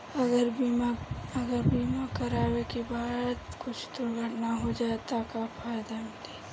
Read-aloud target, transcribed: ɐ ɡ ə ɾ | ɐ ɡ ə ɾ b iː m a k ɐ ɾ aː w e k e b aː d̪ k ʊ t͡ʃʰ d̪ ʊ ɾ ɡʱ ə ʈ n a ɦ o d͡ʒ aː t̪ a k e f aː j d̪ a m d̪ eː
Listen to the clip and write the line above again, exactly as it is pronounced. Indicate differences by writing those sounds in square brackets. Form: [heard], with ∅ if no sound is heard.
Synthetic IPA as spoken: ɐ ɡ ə ɾ | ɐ ɡ ə ɾ b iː m a k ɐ ɾ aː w e k e b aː d̪ k ʊ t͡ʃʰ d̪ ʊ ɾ ɡʱ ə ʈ n a ɦ o d͡ʒ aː t̪ a k [a] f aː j d̪ a m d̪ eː